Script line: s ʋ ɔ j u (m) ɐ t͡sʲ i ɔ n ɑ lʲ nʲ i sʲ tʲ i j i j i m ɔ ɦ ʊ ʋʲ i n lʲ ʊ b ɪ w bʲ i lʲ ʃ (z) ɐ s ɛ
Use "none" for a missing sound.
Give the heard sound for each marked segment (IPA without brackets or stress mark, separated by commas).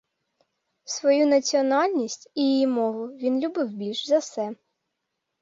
n, z